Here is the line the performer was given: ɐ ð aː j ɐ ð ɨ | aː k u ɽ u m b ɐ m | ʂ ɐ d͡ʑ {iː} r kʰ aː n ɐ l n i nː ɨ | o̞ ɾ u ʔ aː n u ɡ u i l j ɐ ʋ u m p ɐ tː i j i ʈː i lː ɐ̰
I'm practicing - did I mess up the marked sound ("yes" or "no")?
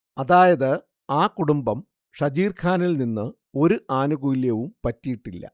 no